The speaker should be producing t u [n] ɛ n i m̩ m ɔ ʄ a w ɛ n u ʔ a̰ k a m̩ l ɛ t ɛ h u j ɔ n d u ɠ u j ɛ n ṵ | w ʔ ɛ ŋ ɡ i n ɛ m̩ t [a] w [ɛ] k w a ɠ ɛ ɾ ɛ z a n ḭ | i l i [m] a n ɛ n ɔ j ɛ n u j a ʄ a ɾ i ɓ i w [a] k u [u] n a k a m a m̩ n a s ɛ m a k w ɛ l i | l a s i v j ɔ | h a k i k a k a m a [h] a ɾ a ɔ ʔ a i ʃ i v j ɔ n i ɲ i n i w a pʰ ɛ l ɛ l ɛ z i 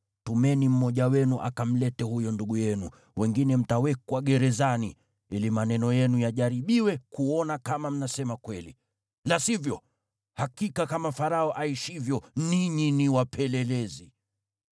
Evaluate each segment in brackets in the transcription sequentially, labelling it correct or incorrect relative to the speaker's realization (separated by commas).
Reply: incorrect, correct, correct, correct, incorrect, incorrect, incorrect